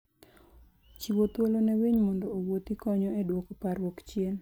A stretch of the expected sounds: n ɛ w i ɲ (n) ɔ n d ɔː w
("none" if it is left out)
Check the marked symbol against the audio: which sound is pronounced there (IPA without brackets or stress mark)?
m